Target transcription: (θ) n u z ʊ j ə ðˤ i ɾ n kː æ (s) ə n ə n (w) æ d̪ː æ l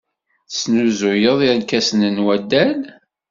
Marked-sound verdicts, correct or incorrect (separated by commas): incorrect, correct, correct